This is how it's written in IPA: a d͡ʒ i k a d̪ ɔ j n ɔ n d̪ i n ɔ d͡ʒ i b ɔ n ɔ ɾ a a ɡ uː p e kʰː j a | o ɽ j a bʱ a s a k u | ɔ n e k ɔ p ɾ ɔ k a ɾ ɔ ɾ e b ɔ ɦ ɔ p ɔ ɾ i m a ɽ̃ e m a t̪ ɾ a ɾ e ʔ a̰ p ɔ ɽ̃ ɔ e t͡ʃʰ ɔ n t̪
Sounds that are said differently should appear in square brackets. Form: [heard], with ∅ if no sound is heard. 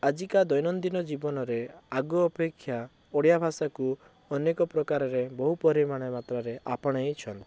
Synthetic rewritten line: a d͡ʒ i k a d̪ ɔ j n ɔ n d̪ i n ɔ d͡ʒ i b ɔ n ɔ ɾ [e] a ɡ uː p e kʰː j a | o ɽ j a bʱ a s a k u | ɔ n e k ɔ p ɾ ɔ k a ɾ ɔ ɾ e b ɔ ɦ [u] p ɔ ɾ i m a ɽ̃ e m a t̪ ɾ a ɾ e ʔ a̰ p ɔ ɽ̃ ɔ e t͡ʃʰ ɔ n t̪

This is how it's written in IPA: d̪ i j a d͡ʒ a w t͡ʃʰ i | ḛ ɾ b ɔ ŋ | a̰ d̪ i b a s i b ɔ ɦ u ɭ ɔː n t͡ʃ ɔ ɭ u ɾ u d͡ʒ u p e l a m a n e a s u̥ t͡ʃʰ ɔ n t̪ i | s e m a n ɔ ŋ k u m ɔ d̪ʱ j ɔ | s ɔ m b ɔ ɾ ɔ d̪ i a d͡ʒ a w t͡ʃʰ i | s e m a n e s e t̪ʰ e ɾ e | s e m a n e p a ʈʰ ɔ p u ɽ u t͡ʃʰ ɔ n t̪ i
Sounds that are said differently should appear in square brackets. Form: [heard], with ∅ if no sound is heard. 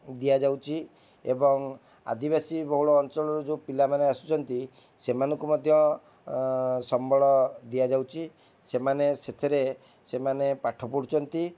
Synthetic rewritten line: d̪ i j a d͡ʒ a w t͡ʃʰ i | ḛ [∅] b ɔ ŋ | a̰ d̪ i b a s i b ɔ ɦ u ɭ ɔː n t͡ʃ ɔ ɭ [ɔ] ɾ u d͡ʒ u p [i] l a m a n e a s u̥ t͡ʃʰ ɔ n t̪ i | s e m a n ɔ ŋ k u m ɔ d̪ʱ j ɔ | s ɔ m b ɔ [ɭ] ɔ d̪ i a d͡ʒ a w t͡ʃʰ i | s e m a n e s e t̪ʰ e ɾ e | s e m a n e p a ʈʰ ɔ p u ɽ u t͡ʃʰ ɔ n t̪ i

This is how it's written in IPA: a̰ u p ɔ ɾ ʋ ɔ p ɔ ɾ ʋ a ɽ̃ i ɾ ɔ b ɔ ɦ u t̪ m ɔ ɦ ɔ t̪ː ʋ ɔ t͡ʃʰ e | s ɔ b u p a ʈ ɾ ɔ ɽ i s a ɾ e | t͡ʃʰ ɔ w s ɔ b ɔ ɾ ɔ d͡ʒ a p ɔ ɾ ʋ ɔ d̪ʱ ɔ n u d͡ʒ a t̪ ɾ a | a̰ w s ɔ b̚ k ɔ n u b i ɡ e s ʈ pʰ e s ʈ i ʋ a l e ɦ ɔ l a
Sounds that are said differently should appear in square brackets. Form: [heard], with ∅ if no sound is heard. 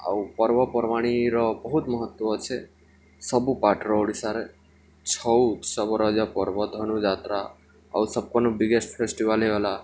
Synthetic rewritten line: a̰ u p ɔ ɾ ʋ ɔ p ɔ ɾ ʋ a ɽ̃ i ɾ ɔ b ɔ ɦ u t̪ m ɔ ɦ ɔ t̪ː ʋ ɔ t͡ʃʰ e | s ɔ b u p a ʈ ɾ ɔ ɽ i s a ɾ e | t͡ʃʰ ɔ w s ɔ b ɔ ɾ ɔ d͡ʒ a p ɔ ɾ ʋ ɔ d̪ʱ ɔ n u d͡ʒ a t̪ ɾ a | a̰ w s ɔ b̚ k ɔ n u b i ɡ e s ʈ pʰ e s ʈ i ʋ a l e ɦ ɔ l a

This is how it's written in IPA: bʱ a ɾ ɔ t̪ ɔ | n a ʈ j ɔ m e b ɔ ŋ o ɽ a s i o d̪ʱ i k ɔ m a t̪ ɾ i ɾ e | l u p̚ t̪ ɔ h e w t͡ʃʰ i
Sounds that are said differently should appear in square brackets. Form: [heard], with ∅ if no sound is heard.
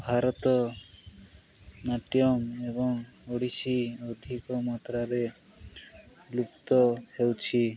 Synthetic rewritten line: bʱ a ɾ ɔ t̪ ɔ | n a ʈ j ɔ m e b ɔ ŋ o ɽ [i] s i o d̪ʱ i k ɔ m a t̪ ɾ [a] ɾ e | l u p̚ t̪ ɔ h e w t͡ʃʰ i

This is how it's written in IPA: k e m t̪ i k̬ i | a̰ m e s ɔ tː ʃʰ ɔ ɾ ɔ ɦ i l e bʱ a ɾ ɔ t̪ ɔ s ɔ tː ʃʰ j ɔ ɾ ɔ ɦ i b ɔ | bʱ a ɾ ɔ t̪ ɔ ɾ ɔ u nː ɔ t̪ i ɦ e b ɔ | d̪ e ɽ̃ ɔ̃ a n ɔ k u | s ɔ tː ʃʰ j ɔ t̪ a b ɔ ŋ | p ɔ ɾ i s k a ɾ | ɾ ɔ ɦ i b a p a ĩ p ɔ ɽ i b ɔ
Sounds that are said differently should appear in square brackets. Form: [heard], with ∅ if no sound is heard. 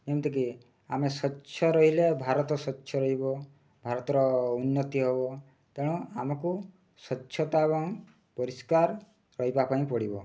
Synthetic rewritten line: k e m t̪ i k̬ i | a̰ m e s ɔ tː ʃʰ ɔ ɾ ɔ ɦ i l e bʱ a ɾ ɔ t̪ ɔ s ɔ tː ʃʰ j ɔ ɾ ɔ ɦ i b ɔ | bʱ a ɾ ɔ t̪ ɔ ɾ ɔ u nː ɔ t̪ i ɦ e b ɔ | [t̪] e ɽ̃ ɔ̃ a [m] ɔ k u | s ɔ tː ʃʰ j ɔ t̪ a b ɔ ŋ | p ɔ ɾ i s k a ɾ | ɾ ɔ ɦ i b a p a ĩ p ɔ ɽ i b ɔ

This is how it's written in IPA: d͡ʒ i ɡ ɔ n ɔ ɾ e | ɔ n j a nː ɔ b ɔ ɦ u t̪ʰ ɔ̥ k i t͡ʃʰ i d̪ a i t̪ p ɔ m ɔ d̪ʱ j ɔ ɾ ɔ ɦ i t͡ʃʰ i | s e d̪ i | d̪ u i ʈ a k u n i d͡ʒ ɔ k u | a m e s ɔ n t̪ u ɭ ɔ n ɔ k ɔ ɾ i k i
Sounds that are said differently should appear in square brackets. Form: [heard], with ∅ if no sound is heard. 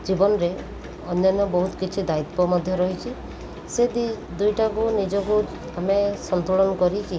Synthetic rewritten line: d͡ʒ i [b] ɔ n ɔ ɾ e | ɔ n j a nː ɔ b ɔ ɦ u [t̪] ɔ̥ k i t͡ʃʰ i d̪ a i t̪ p ɔ m ɔ d̪ʱ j ɔ ɾ ɔ ɦ i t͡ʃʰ i | s e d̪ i | d̪ u [j] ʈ a k u n i d͡ʒ ɔ k u | a m e s ɔ n t̪ u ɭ ɔ n ɔ k ɔ ɾ i k i

